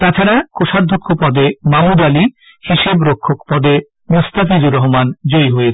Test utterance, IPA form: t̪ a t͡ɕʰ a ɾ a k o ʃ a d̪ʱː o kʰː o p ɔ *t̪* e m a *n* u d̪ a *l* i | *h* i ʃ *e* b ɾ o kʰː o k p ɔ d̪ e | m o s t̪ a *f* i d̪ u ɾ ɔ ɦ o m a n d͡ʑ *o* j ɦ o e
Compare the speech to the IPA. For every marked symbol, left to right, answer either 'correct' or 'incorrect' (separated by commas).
incorrect, incorrect, correct, correct, correct, correct, correct